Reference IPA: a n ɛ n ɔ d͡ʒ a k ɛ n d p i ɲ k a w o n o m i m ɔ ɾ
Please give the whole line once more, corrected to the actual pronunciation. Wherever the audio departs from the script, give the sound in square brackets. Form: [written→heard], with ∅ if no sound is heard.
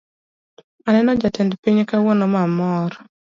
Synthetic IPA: a n ɛ n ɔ d͡ʒ a [k→t] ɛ n d p i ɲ k a w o n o m [i→a] m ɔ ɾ